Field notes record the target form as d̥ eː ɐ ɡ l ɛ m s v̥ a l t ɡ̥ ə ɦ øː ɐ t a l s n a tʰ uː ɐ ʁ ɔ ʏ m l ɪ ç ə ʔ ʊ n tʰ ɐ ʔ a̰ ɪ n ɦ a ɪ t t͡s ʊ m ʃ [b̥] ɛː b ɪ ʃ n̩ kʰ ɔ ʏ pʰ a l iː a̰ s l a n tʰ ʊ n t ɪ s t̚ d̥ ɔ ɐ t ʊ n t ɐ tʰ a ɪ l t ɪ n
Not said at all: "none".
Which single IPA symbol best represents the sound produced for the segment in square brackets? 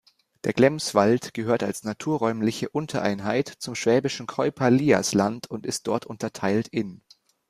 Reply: v̥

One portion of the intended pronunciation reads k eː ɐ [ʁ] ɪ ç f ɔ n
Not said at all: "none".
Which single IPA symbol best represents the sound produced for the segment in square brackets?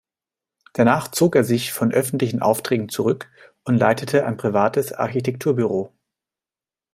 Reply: z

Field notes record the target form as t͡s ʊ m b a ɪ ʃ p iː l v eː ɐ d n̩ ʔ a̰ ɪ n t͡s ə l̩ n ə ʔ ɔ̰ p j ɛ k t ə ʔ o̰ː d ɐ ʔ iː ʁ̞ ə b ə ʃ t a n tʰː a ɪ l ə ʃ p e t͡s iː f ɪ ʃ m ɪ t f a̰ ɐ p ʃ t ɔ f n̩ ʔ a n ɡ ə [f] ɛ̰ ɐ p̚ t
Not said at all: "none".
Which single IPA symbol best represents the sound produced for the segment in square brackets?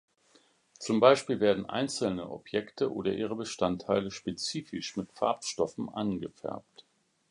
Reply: f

